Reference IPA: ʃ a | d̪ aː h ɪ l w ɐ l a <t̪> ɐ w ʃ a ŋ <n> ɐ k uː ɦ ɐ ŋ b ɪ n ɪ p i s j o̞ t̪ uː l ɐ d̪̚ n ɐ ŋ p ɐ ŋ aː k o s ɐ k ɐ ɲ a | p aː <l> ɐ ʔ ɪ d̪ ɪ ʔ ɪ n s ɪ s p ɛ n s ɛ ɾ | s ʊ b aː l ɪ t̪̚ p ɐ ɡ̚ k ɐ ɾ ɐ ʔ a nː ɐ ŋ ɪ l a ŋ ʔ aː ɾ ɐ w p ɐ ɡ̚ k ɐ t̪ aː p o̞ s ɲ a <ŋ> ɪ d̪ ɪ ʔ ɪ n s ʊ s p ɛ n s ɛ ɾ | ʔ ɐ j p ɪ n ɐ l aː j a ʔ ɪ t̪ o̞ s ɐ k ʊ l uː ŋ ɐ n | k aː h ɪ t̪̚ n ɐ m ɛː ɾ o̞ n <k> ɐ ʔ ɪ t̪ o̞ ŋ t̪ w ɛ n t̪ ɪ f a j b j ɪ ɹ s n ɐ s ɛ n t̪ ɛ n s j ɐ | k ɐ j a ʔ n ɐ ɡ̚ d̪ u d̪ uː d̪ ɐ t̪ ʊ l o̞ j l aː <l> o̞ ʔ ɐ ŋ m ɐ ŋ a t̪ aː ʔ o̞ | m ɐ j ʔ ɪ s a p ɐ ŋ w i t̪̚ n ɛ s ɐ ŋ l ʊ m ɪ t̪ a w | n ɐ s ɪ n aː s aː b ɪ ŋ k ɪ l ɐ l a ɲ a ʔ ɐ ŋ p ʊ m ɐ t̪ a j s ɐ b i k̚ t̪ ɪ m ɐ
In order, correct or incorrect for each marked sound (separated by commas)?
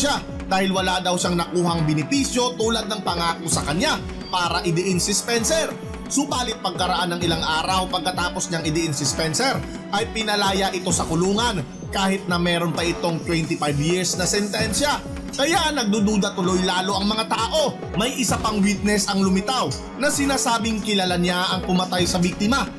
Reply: incorrect, correct, incorrect, correct, incorrect, correct